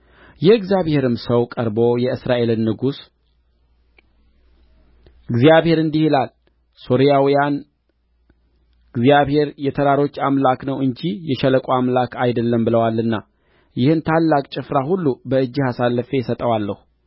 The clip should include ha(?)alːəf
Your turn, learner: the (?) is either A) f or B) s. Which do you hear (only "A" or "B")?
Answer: B